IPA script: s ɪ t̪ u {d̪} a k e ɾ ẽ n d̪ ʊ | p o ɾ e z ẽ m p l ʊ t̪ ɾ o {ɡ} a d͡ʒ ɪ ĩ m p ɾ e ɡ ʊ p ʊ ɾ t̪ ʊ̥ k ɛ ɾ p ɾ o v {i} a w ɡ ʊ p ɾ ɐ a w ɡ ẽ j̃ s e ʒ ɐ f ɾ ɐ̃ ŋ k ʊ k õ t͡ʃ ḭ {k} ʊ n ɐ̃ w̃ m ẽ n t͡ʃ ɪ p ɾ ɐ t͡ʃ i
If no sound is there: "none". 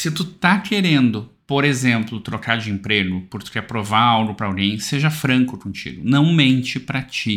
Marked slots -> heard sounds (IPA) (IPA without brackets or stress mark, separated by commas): t̪, k, a, ɡ